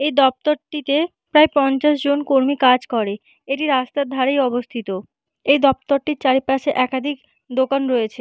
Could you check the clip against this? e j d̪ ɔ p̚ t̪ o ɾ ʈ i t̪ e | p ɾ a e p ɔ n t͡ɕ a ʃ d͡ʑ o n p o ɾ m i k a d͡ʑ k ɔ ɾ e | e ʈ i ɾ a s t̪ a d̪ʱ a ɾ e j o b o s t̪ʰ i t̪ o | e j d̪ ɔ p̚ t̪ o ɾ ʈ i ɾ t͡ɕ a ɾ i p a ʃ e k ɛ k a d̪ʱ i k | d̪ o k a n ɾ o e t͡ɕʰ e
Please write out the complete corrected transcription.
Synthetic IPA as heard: e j d̪ ɔ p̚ t̪ o ɾ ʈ i t̪ e | p ɾ a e p ɔ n t͡ɕ a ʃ d͡ʑ o n k o ɾ m i k a d͡ʑ k ɔ ɾ e | e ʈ i ɾ a s t̪ a d̪ʱ a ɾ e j ɔ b o s t̪ʰ i t̪ o | e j d̪ ɔ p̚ t̪ o ɾ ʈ i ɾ t͡ɕ a ɾ i p a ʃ e ʔ ɛ k a d̪ʱ i k | d̪ o k a n ɾ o e t͡ɕʰ e